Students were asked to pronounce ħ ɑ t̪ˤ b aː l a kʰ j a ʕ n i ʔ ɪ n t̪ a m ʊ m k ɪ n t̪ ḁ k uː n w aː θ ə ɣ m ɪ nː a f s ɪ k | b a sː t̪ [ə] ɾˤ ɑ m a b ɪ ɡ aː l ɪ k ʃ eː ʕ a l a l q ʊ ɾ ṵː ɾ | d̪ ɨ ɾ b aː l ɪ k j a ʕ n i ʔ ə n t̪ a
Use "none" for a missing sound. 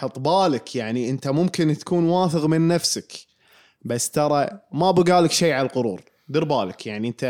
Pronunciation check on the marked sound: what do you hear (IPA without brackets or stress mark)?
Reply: ɑ